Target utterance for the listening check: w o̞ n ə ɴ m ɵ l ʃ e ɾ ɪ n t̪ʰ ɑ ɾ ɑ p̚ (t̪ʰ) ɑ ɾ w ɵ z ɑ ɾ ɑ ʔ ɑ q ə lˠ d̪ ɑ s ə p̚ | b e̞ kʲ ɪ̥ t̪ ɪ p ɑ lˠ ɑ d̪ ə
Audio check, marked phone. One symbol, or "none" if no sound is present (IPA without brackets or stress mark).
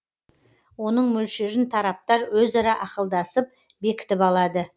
t̪